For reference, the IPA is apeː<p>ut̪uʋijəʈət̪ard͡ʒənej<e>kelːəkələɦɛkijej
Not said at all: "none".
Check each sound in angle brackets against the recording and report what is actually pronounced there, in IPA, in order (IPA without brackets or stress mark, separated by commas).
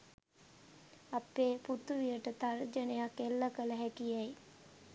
p, a